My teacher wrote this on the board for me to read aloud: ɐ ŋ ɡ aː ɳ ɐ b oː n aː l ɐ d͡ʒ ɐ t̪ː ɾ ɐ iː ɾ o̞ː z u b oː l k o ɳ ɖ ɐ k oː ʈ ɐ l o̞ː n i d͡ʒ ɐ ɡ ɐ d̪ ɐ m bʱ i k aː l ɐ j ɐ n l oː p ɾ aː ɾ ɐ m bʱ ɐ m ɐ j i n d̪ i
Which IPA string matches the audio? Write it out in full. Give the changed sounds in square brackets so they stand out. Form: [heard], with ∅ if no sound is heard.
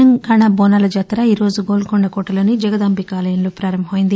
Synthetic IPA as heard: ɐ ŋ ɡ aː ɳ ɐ b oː n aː l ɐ d͡ʒ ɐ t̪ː ɾ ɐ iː ɾ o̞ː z u [ɡ] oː l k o ɳ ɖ ɐ k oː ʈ ɐ l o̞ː n i d͡ʒ ɐ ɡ ɐ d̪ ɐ m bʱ i k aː l ɐ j ɐ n l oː p ɾ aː ɾ ɐ m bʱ ɐ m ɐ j i n d̪ i